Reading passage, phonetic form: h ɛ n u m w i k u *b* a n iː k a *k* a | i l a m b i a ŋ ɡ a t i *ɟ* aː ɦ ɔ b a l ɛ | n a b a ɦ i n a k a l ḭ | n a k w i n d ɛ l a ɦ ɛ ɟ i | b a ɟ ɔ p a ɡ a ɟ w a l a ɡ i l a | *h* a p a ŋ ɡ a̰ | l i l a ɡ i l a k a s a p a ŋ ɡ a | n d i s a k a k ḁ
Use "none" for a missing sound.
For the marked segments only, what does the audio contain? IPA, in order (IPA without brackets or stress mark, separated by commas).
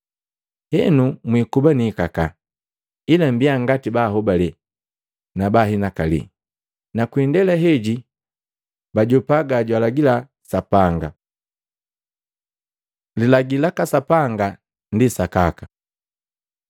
b, k, b, s